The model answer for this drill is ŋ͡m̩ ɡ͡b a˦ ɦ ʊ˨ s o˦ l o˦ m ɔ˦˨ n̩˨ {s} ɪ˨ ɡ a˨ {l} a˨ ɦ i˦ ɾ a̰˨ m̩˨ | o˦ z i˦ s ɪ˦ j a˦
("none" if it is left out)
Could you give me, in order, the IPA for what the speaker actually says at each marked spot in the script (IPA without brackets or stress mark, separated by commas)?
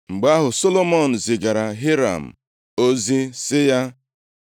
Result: z, ɾ